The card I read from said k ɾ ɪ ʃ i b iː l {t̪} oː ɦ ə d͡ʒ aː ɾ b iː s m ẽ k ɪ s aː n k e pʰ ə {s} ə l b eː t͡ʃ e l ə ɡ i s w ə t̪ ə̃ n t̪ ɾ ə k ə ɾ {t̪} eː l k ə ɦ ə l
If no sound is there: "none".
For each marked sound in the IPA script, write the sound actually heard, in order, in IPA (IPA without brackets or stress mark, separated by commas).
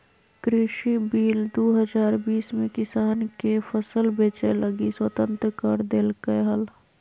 d̪, s, d̪